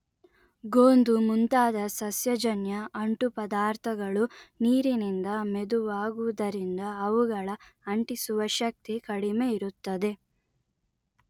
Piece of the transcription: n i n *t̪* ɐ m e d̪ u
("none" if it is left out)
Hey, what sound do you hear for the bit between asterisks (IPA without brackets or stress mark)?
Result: d̪